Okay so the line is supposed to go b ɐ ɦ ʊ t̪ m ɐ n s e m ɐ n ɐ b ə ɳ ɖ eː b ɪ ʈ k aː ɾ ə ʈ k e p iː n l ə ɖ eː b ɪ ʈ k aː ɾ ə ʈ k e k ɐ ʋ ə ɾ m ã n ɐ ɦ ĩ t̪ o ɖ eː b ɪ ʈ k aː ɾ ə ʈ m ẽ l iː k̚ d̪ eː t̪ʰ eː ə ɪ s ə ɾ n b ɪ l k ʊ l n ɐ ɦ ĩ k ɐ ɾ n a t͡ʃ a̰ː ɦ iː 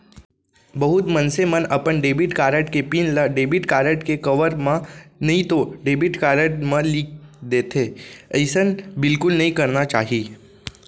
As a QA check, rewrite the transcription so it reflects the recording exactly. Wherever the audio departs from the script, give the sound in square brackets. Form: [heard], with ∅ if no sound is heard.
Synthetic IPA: b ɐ ɦ ʊ t̪ m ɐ n s e m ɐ n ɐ [p] ə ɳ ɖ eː b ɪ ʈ k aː ɾ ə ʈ k e p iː n l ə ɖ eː b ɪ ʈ k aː ɾ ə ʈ k e k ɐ ʋ ə ɾ m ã n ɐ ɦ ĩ t̪ o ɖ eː b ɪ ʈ k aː ɾ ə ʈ m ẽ l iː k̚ d̪ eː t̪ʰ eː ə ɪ s ə [∅] n b ɪ l k ʊ l n ɐ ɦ ĩ k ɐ ɾ n a t͡ʃ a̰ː ɦ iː

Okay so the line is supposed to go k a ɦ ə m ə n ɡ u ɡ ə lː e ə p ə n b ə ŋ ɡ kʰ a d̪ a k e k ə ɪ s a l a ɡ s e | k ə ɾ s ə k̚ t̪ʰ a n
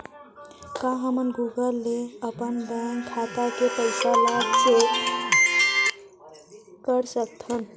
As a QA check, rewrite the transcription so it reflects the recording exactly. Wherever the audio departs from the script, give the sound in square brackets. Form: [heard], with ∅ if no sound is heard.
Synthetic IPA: k a ɦ ə m ə n ɡ u ɡ ə lː e ə p ə n b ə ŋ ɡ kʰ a [t̪] a k e [p] ə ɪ s a l a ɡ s e | k ə ɾ s ə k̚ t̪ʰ [ə] n

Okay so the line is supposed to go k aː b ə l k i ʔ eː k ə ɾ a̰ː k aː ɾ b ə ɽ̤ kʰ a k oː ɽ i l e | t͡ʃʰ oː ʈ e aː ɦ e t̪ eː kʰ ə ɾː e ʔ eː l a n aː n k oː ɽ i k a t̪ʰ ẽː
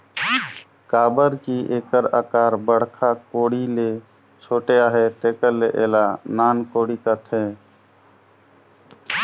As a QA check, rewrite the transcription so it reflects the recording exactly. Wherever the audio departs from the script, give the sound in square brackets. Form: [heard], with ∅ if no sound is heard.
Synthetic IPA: k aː b ə [ɾ] k i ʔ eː k ə ɾ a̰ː k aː ɾ b ə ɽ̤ kʰ a k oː ɽ i l e | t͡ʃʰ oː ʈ e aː ɦ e t̪ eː [k] ə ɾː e ʔ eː l a n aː n k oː ɽ i k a t̪ʰ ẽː

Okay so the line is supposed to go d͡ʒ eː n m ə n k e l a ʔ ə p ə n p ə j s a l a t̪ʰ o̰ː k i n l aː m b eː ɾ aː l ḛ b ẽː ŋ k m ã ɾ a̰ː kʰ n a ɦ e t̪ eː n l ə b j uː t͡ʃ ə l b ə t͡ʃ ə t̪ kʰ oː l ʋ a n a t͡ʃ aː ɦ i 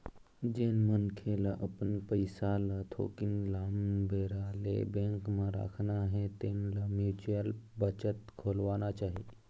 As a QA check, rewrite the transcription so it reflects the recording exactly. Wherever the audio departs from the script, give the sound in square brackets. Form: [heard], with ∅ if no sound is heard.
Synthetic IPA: d͡ʒ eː n m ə n [kʰ] e l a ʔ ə p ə n p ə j s a l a t̪ʰ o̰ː k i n l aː m b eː ɾ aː l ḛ b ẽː ŋ k m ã ɾ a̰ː kʰ n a ɦ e t̪ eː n l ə [m] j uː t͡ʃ ə l b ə t͡ʃ ə t̪ kʰ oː l ʋ a n a t͡ʃ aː ɦ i

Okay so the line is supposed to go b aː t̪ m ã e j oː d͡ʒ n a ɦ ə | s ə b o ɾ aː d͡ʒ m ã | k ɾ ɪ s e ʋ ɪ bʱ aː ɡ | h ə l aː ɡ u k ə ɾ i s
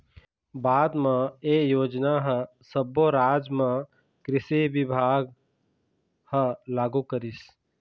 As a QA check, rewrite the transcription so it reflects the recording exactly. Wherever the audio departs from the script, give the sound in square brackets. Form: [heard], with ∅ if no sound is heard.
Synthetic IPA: b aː [d̪] m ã e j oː d͡ʒ n a ɦ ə | s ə b o ɾ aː d͡ʒ m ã | k ɾ ɪ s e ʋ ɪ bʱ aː ɡ | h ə l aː ɡ u k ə ɾ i s

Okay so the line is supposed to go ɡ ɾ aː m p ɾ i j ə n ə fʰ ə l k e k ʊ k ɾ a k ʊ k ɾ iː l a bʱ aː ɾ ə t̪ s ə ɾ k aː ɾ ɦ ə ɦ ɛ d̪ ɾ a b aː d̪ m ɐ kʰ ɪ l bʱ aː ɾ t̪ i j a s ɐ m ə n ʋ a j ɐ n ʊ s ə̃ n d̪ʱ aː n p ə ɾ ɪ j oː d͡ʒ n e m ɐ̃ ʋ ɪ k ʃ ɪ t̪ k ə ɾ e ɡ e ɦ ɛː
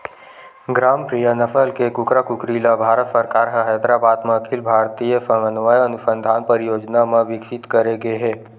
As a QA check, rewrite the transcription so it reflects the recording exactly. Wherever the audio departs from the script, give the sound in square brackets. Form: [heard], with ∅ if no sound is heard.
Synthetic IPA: ɡ ɾ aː m p ɾ i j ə n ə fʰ ə l k e k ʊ k ɾ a k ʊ k ɾ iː l a bʱ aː ɾ ə t̪ s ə ɾ k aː ɾ ɦ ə ɦ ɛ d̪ ɾ a b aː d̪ m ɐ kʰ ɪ l bʱ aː ɾ t̪ i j [ə] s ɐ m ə n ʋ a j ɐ n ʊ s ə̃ n d̪ʱ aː n p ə ɾ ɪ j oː d͡ʒ n [a] m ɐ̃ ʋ ɪ k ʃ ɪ t̪ k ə ɾ e ɡ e ɦ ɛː

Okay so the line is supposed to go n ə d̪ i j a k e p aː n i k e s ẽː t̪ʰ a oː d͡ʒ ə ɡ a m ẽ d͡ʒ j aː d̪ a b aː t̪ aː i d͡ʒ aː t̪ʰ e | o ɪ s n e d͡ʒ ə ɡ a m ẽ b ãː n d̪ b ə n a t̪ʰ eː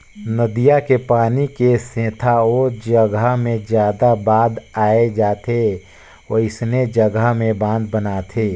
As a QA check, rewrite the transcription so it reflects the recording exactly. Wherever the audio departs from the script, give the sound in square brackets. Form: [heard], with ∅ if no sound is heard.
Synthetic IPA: n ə d̪ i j a k e p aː n i k e s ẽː t̪ʰ a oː d͡ʒ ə ɡ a m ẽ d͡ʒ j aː d̪ a b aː [d̪] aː [e] d͡ʒ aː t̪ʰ e | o ɪ s n e d͡ʒ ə ɡ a m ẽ b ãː n d̪ b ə n a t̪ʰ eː

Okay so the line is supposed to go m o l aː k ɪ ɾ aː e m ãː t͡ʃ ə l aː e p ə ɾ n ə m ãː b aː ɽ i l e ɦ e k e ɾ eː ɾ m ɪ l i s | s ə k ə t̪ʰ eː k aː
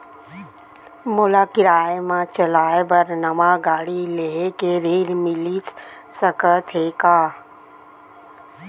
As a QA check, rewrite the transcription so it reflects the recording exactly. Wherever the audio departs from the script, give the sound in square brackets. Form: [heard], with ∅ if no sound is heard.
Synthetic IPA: m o l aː k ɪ ɾ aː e m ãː t͡ʃ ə l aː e [b] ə ɾ n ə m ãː [ɡ] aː ɽ i l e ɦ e k e ɾ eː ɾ m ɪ l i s | s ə k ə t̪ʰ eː k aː

